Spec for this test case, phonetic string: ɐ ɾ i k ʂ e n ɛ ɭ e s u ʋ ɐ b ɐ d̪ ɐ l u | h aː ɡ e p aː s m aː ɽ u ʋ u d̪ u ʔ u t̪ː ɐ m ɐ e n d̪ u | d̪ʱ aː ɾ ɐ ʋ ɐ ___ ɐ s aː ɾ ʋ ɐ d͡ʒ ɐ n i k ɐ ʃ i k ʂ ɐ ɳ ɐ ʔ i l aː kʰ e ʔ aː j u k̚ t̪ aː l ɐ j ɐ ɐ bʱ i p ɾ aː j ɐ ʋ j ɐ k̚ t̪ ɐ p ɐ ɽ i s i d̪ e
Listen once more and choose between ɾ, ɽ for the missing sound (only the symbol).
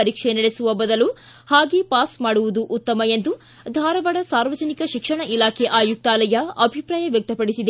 ɽ